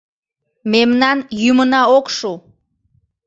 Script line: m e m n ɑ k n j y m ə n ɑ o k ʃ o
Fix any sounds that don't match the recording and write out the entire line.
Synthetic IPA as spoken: m e m n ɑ n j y m ə n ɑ o k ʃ u

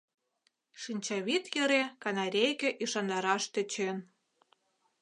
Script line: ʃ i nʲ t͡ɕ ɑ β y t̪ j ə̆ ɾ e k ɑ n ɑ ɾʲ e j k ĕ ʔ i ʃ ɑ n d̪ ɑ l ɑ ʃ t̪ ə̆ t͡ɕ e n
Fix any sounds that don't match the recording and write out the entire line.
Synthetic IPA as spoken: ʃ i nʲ t͡ɕ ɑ β i t̪ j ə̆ ɾ e k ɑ n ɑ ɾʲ e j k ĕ ʔ i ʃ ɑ n d̪ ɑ ɾ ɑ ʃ t̪ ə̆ t͡ɕ e n

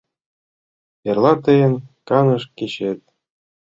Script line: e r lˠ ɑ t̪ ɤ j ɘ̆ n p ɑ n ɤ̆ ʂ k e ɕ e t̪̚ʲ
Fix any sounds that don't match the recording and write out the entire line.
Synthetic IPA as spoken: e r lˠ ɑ t̪ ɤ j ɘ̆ n k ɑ n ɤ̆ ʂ k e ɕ e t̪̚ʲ

